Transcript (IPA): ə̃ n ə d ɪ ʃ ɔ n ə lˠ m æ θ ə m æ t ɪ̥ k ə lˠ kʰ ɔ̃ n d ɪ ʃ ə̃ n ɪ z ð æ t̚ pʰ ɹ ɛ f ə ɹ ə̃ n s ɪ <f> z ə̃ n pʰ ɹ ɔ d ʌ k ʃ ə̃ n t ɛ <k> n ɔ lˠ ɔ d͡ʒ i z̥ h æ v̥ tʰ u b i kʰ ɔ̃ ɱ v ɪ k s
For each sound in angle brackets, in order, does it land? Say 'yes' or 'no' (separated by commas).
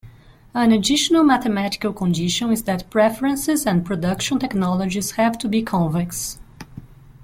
no, yes